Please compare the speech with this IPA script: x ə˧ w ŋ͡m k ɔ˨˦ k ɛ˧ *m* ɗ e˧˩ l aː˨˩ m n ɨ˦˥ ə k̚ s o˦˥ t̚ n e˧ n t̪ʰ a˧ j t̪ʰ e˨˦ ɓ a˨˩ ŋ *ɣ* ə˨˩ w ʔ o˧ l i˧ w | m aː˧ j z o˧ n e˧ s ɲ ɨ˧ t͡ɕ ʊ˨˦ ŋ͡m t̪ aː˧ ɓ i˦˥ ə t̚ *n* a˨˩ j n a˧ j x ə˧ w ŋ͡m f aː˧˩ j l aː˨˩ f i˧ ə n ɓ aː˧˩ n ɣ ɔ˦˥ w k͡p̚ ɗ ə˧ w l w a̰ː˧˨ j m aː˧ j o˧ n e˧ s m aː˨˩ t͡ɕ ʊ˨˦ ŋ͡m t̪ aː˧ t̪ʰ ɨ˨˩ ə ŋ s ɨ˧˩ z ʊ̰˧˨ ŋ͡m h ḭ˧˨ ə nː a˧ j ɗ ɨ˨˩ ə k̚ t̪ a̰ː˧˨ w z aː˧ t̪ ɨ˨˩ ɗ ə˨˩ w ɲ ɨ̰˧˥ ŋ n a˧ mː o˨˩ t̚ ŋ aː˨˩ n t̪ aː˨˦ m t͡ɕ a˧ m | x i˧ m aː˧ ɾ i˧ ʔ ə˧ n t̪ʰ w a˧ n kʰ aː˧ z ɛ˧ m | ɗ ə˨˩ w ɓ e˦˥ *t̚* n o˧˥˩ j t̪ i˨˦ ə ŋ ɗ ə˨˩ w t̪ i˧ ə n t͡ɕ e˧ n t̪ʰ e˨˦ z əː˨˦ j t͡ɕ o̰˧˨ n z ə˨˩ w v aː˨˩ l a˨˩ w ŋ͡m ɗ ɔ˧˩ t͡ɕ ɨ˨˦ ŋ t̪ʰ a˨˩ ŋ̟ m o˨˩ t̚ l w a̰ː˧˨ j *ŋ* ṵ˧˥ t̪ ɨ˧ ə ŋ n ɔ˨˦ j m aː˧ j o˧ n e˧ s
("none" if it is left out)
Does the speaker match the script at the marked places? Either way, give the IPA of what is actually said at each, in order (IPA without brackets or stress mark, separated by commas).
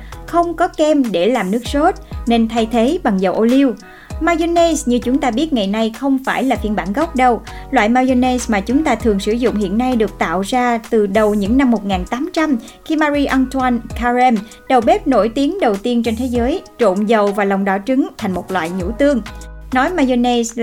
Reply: m, z, ŋ, p̚, ɲ